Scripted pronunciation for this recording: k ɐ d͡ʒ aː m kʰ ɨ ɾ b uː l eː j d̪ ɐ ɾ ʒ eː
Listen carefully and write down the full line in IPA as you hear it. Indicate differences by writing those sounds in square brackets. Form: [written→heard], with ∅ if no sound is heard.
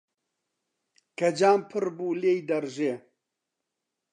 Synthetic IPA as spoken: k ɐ d͡ʒ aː m [kʰ→pʰ] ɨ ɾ b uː l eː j d̪ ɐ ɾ ʒ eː